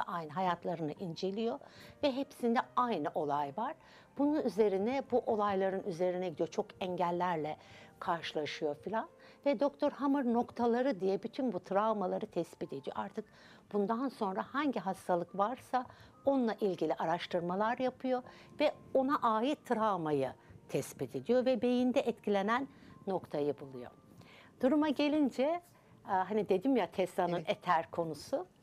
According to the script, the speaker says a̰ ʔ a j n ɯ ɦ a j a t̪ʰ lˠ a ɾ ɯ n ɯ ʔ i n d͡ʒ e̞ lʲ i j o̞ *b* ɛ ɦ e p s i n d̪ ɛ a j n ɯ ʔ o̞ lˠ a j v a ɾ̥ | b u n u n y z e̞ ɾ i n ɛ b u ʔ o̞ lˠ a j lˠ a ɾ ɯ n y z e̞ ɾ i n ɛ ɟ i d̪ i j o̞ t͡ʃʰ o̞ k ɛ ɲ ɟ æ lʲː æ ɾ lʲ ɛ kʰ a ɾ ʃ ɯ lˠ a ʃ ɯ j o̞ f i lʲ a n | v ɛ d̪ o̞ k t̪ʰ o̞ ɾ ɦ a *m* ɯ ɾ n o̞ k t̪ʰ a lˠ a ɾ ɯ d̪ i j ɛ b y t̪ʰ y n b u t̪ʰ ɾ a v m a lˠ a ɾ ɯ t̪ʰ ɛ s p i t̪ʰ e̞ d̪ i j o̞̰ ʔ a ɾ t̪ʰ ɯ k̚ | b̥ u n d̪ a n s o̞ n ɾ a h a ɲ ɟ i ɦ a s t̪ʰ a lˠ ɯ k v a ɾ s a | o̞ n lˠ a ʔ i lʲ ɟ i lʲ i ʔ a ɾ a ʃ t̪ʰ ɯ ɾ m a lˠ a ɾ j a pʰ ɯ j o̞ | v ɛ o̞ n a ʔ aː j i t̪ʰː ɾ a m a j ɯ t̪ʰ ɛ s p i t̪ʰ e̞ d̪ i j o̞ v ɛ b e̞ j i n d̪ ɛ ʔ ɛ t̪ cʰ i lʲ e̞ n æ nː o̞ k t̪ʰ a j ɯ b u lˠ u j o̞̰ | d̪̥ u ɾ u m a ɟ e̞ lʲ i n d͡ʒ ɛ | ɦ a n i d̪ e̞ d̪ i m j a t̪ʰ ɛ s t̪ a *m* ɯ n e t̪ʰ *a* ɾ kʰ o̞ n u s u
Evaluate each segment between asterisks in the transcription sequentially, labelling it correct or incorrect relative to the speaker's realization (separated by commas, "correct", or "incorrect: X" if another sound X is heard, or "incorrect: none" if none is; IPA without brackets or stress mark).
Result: incorrect: v, correct, incorrect: n, incorrect: æ